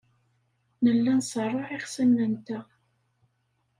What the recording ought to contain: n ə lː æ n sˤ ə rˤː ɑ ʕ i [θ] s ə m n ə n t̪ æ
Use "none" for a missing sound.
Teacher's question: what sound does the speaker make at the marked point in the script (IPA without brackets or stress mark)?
χ